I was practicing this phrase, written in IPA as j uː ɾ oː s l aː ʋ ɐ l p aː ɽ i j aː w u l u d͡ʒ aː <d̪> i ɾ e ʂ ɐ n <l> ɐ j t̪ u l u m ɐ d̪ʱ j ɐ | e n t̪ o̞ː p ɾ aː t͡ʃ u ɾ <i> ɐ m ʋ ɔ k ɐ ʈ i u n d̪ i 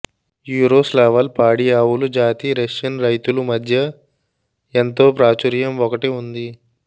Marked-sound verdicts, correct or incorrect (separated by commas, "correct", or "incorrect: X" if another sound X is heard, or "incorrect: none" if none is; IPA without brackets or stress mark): incorrect: t̪, incorrect: ɾ, incorrect: j